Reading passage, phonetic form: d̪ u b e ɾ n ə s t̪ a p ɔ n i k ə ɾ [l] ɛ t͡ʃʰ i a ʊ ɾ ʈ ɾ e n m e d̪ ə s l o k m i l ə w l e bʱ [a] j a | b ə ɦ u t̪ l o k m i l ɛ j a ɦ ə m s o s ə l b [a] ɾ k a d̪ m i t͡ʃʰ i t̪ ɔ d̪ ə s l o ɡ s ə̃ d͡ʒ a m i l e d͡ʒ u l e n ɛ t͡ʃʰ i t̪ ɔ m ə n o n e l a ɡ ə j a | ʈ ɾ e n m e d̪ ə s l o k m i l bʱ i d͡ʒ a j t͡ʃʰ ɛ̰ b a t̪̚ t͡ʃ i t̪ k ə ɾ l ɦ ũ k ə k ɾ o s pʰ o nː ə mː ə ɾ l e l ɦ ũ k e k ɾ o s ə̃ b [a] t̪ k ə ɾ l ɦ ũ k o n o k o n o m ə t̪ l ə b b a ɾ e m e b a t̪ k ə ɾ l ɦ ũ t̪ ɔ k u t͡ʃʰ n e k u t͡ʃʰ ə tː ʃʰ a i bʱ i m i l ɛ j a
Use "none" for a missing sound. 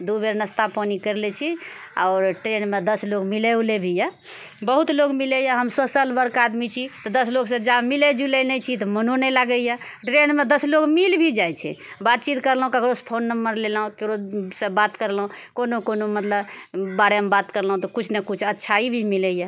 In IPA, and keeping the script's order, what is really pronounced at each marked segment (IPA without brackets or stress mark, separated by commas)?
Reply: l, i, ə, a